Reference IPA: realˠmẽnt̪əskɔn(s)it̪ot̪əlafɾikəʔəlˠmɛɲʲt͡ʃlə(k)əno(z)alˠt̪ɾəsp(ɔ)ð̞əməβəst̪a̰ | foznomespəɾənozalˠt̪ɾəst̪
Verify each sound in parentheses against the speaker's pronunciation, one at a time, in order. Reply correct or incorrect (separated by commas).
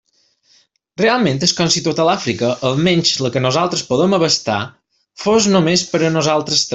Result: correct, correct, correct, incorrect